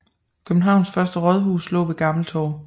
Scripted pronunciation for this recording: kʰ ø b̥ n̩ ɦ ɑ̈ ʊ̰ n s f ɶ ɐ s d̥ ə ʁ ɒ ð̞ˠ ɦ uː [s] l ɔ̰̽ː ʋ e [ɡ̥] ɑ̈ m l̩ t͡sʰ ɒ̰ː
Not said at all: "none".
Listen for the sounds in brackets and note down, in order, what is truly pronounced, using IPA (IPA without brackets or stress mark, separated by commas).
s, ɡ̥